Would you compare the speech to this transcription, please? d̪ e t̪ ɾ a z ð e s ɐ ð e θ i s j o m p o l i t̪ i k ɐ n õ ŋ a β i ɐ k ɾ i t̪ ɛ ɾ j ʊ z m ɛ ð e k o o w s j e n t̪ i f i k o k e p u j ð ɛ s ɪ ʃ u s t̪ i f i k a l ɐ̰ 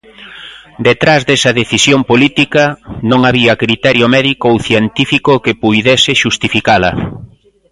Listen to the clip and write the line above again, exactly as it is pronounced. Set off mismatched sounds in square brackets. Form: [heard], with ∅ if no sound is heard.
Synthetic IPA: d̪ e t̪ ɾ a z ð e s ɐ ð e θ i s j o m p o l i t̪ i k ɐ n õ ŋ a β i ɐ k ɾ i t̪ ɛ ɾ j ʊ [∅] m ɛ ð [i] k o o w [θ] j e n t̪ i f i k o k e p u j ð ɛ s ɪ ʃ u s t̪ i f i k a l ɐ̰